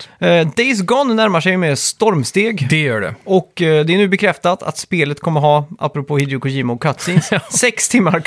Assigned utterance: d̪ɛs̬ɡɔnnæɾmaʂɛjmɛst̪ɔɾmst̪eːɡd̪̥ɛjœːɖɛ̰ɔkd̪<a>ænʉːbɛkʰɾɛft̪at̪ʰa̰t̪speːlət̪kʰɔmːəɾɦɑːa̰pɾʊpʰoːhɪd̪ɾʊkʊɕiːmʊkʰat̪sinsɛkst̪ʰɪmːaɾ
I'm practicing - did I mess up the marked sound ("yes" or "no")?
yes